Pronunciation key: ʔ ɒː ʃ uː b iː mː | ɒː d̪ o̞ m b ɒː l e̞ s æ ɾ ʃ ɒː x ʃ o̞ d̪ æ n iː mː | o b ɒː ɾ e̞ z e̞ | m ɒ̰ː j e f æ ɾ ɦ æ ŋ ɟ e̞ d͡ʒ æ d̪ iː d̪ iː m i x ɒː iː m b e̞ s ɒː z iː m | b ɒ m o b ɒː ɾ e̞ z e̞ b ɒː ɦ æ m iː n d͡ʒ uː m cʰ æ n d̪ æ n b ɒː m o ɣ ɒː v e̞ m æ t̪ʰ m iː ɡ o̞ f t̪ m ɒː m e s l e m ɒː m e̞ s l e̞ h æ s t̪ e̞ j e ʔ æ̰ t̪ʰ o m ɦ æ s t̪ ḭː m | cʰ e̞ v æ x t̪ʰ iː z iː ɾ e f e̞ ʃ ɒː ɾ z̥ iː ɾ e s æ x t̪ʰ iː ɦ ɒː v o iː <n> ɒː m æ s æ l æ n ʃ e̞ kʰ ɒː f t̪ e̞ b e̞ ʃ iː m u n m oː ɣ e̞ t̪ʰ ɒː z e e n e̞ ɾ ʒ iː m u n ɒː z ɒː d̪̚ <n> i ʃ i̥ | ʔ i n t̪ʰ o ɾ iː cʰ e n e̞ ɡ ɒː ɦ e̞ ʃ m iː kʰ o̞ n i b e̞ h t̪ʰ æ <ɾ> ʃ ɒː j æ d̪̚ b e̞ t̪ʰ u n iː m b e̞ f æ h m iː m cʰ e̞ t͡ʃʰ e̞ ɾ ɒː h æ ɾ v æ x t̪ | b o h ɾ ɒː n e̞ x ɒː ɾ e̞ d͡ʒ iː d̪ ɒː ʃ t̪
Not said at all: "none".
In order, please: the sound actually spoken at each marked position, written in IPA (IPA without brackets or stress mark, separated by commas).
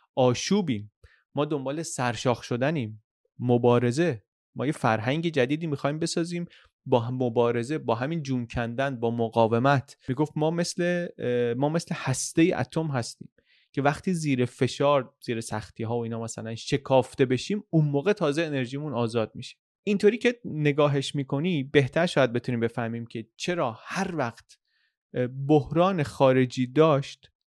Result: n, m, ɾ